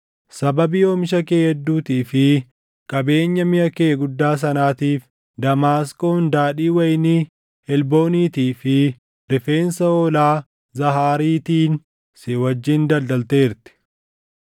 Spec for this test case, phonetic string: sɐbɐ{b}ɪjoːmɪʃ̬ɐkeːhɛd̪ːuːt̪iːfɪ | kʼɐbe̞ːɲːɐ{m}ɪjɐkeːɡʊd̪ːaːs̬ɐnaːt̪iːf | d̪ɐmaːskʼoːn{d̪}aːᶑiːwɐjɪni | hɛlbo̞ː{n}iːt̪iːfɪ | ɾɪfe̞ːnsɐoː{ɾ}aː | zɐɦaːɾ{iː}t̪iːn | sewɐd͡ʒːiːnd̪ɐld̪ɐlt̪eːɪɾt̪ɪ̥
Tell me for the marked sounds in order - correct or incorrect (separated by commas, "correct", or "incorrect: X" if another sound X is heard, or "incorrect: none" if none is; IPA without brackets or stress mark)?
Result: correct, correct, correct, correct, incorrect: l, correct